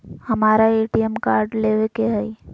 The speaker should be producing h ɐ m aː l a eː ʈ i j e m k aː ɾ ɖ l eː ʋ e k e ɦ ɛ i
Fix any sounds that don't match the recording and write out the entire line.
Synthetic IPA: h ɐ m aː ɾ a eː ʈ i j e m k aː ɾ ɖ l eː ʋ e k e ɦ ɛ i

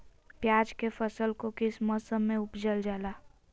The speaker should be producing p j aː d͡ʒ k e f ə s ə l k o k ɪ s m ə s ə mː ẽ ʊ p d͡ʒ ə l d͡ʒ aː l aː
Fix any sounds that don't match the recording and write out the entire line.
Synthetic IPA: p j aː d͡ʒ k e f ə s ə l k o k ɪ s m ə s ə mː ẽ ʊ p d͡ʒ ə l d͡ʒ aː l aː

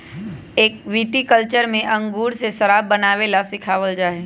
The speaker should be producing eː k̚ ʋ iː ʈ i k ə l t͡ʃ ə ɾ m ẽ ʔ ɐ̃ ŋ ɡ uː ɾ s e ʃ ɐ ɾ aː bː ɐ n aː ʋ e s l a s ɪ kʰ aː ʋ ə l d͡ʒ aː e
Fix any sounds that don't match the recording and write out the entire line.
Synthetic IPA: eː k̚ ʋ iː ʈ i k ə l t͡ʃ ə ɾ m ẽ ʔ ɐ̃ ŋ ɡ uː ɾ s e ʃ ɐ ɾ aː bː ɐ n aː ʋ e l a s ɪ kʰ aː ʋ ə l d͡ʒ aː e

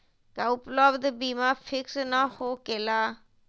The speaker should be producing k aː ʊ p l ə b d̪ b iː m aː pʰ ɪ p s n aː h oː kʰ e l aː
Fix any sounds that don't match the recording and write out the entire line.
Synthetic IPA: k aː ʊ p l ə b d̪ b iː m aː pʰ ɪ k s n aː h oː k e l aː

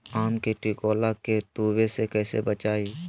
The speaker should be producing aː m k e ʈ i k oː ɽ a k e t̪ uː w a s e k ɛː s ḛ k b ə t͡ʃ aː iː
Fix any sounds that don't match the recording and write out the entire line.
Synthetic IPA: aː m k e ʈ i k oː l a k e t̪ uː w e s e k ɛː s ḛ b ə t͡ʃ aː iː

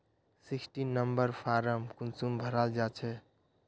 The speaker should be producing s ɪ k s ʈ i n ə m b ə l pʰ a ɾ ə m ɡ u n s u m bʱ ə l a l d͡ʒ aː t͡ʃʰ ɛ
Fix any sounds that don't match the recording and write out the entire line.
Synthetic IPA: s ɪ k s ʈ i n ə m b ə ɾ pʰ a ɾ ə m k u n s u m bʱ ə ɾ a l d͡ʒ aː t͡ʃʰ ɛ

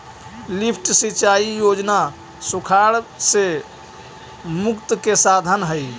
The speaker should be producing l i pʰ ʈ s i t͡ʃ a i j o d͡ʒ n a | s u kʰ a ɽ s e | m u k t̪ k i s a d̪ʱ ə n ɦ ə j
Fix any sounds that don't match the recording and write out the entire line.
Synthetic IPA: l i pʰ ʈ s i t͡ʃ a i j o d͡ʒ n a | s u kʰ a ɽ s e | m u k t̪ k e s a d̪ʱ ə n ɦ ə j

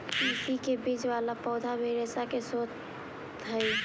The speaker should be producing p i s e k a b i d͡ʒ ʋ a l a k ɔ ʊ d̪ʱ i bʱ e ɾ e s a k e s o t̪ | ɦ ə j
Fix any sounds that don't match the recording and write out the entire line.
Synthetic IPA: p i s i k e b i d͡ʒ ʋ a l a p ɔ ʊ d̪ʱ a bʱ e ɾ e s a k e s o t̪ | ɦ ə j

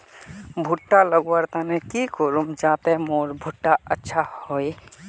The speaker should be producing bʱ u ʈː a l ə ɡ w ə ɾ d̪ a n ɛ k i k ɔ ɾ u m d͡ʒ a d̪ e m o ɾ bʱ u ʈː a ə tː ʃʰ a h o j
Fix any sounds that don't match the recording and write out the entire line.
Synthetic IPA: bʱ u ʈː a l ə ɡ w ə ɾ t̪ a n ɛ k i k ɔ ɾ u m d͡ʒ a t̪ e m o ɾ bʱ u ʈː a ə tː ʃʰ a h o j

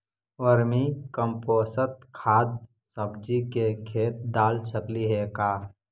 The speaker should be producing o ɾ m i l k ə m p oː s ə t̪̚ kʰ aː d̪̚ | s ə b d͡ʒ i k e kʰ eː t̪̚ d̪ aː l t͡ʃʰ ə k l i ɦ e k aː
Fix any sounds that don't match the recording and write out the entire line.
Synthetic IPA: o ɾ m i k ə m p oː s ə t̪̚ kʰ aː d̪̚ | s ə b d͡ʒ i k e kʰ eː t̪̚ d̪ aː l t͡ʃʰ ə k l i ɦ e k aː

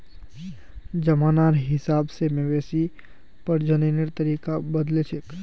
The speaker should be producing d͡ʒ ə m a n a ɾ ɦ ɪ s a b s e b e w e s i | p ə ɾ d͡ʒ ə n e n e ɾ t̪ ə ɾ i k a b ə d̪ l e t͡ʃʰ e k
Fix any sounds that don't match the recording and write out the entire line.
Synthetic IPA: d͡ʒ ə m a n a ɾ ɦ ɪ s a b s e m e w e s i | p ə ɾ d͡ʒ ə n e n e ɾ t̪ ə ɾ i k a b ə d̪ l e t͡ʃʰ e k

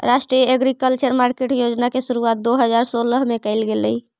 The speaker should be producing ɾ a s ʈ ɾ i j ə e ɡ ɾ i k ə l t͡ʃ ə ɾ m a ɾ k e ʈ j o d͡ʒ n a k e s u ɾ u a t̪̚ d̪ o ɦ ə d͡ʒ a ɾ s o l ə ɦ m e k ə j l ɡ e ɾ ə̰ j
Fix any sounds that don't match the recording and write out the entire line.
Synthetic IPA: ɾ a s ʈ ɾ i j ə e ɡ ɾ i k ə l t͡ʃ ə ɾ m a ɾ k e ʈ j o d͡ʒ n a k e s u ɾ u a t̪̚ d̪ o ɦ ə d͡ʒ a ɾ s o l ə ɦ m e k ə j l ɡ e l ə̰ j

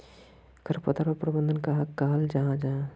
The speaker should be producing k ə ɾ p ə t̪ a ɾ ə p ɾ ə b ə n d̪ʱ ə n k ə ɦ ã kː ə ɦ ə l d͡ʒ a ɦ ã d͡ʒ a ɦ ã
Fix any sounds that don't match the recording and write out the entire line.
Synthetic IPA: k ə ɾ p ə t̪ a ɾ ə p ɾ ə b ə n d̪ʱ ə n k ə ɦ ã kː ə ɦ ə l d͡ʒ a ɦ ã d͡ʒ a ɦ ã

